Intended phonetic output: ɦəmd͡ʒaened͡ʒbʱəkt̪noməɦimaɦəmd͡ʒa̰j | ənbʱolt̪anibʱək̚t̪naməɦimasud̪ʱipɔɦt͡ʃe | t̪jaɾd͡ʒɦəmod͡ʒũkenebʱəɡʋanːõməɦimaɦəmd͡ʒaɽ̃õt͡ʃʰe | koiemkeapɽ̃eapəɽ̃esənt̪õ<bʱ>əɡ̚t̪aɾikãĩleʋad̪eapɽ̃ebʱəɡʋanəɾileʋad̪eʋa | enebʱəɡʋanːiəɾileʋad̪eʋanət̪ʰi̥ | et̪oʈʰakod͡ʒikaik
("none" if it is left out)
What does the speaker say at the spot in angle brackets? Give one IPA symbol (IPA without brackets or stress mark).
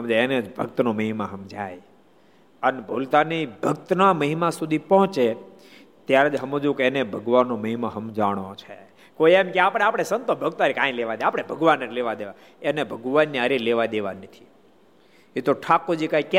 bʱ